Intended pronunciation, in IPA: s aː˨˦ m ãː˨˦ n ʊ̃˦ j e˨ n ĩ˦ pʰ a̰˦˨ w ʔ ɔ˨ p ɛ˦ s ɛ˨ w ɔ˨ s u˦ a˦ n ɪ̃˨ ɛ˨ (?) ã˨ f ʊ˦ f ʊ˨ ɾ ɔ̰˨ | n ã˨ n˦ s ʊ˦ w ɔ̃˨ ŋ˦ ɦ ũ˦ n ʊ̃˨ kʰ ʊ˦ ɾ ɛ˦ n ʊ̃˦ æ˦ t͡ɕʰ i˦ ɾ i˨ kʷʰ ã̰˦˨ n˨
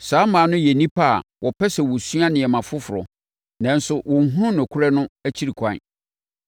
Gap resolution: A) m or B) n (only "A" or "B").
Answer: A